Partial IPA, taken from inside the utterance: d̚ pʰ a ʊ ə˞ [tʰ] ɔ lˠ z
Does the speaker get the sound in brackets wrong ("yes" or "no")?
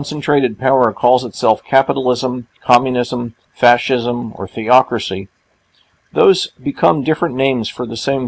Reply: yes